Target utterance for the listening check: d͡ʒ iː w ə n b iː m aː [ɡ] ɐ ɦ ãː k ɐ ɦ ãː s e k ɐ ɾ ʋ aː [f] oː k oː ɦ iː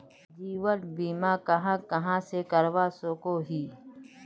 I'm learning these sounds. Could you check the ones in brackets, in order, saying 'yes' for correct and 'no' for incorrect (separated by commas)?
no, no